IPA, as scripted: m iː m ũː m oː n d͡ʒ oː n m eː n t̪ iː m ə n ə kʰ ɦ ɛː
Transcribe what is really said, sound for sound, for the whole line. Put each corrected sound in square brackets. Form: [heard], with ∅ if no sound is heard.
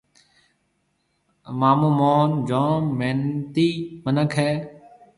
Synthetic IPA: m [aː] m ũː m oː n d͡ʒ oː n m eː n t̪ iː m ə n ə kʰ ɦ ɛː

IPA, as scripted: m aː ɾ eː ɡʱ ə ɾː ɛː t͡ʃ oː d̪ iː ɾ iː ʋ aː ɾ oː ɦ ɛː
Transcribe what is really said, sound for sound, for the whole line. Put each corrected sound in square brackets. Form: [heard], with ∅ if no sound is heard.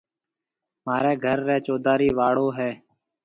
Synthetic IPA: m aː ɾ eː ɡʱ ə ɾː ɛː t͡ʃ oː d̪ [aː] ɾ iː ʋ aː [ɽ] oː ɦ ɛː

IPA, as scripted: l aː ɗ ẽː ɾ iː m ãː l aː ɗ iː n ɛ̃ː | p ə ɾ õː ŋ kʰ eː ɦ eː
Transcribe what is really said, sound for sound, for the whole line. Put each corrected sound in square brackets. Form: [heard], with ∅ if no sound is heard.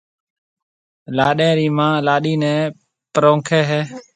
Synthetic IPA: l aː ɗ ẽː ɾ iː m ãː l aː ɗ iː n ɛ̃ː | p ə ɾ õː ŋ kʰ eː ɦ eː

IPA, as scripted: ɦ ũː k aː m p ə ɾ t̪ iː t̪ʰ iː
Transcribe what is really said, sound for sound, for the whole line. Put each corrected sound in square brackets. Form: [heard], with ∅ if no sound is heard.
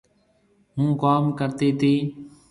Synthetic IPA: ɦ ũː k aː m [k] ə ɾ t̪ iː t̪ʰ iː

